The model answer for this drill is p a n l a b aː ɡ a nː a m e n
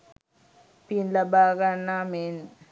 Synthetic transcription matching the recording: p i n l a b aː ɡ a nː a m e n

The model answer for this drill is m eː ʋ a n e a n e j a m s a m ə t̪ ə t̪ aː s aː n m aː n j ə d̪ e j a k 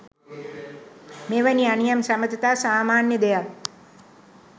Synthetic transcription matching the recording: m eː ʋ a n i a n i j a m s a m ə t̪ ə t̪ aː s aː m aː n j ə d̪ e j a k

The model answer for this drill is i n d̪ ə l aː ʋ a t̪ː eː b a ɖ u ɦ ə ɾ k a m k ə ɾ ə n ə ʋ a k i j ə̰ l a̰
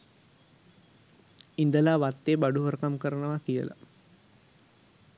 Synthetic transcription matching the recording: i n d̪ ə l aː ʋ a t̪ː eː b a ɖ u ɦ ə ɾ k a m k ə ɾ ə n ə ʋ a k i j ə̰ l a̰

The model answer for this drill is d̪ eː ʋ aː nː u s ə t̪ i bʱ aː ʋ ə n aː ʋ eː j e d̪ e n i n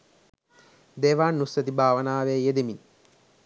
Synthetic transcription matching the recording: d̪ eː ʋ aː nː u s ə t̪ i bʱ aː ʋ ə n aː ʋ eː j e d̪ e m i n

